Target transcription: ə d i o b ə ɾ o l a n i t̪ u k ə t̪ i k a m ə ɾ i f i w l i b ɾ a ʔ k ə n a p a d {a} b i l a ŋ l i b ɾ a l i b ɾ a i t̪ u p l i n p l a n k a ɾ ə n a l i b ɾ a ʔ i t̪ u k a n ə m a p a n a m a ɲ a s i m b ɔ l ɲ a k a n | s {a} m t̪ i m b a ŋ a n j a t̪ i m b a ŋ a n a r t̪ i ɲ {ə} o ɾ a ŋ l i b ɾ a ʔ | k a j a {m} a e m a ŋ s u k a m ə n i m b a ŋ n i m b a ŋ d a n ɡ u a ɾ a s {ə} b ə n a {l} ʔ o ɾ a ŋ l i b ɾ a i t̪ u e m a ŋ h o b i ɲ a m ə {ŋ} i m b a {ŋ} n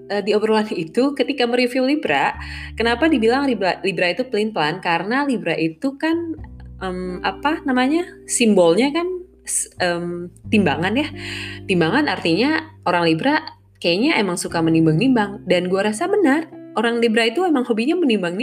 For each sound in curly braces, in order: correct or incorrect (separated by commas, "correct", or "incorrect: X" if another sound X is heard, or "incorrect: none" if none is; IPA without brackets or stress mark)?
incorrect: i, incorrect: ə, incorrect: a, incorrect: ɲ, incorrect: a, incorrect: r, incorrect: n, correct